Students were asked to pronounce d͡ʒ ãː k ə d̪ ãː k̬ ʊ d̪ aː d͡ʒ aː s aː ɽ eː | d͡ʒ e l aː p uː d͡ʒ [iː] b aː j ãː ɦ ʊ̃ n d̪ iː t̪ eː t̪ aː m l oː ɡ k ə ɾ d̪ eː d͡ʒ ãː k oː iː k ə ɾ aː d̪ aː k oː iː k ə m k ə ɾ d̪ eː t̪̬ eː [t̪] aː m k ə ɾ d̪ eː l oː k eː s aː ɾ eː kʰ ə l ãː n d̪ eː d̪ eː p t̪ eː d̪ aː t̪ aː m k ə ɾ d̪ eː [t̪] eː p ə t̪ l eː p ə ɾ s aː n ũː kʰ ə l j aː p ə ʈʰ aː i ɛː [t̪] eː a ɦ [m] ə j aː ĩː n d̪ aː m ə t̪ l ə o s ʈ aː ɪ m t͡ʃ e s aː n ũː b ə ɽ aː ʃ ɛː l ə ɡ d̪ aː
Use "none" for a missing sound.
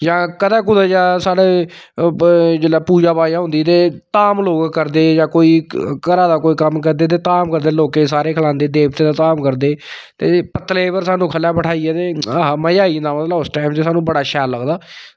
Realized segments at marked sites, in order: aː, t̪, t̪, t̪, m

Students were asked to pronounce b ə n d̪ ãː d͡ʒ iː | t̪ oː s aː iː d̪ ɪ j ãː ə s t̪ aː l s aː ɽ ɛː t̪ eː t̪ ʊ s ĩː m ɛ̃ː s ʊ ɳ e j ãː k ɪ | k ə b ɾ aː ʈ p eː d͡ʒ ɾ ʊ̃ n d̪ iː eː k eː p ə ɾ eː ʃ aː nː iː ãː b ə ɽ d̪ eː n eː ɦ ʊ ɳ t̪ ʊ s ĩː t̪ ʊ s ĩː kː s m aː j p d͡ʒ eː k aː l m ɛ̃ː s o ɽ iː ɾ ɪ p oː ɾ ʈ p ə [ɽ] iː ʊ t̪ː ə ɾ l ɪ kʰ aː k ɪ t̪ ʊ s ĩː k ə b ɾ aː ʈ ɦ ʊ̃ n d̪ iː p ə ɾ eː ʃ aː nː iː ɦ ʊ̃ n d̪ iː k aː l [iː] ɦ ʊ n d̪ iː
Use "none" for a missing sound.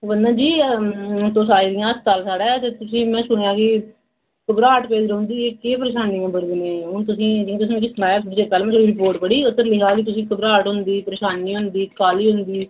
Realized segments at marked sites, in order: ɽ, iː

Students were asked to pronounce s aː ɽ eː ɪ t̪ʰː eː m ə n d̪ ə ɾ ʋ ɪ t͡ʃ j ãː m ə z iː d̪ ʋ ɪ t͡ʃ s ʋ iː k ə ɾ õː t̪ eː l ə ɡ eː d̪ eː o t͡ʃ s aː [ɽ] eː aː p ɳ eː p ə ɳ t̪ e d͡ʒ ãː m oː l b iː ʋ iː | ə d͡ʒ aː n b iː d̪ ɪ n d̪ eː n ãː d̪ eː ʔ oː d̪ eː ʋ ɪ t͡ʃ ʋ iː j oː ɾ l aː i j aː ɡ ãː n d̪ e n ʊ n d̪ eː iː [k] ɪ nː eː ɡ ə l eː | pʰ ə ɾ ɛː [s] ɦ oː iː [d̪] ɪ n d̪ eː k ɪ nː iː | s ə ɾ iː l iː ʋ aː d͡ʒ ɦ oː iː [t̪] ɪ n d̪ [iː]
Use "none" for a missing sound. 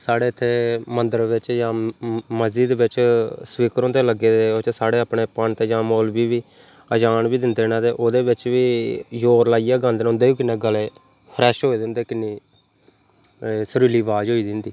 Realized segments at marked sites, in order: ɽ, k, ʃ, d̪, d̪, iː

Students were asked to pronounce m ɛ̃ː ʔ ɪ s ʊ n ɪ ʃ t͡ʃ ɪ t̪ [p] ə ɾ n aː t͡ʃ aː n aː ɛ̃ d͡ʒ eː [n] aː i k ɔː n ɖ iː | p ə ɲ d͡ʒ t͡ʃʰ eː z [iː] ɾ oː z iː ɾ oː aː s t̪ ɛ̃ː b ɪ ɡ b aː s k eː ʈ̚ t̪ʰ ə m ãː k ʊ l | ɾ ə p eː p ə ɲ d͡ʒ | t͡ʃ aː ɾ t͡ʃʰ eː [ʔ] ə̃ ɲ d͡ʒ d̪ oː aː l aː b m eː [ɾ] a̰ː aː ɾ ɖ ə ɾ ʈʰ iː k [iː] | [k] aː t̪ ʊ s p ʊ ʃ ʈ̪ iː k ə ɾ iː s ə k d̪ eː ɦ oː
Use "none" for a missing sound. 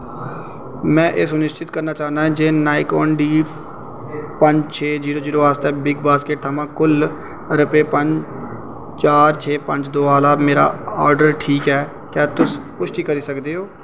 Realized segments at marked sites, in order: k, n, iː, p, ɾ, ɛː, k

